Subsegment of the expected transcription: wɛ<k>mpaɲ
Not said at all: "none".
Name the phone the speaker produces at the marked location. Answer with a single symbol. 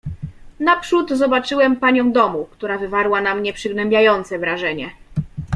none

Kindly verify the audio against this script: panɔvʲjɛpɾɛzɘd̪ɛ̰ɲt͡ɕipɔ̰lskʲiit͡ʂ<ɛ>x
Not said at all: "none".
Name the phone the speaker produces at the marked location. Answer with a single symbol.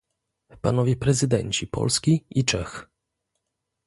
ɛ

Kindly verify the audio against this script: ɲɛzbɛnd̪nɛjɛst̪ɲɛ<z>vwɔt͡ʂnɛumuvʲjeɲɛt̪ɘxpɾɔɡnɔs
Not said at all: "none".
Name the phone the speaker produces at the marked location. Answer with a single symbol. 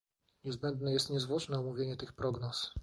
z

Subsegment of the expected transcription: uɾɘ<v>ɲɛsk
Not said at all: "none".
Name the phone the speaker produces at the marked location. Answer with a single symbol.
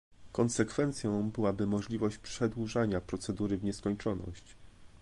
v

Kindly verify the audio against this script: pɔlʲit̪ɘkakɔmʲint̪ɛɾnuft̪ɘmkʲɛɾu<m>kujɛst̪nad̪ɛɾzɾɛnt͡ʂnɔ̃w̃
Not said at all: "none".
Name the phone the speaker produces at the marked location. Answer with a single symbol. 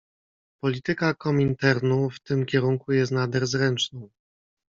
ŋ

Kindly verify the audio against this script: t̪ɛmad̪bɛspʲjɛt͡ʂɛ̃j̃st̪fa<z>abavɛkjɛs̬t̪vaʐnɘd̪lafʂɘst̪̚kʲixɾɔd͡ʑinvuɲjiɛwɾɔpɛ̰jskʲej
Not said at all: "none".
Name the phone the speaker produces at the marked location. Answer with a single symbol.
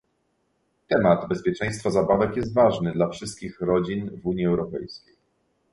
z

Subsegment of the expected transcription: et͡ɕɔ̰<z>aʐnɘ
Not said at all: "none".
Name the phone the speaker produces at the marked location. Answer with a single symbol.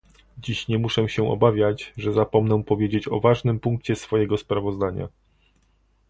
v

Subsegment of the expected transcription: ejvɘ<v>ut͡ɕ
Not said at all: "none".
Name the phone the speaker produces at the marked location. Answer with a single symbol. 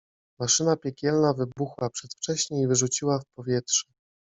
ʐ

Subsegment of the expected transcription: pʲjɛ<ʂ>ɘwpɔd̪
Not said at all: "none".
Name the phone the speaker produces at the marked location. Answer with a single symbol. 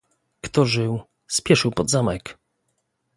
ʂ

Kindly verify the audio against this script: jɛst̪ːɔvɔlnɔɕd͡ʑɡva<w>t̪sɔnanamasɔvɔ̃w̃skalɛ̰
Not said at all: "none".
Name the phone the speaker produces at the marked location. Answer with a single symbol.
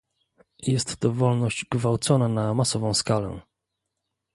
w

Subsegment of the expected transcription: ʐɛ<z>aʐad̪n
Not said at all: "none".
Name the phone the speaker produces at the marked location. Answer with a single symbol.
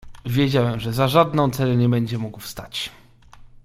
z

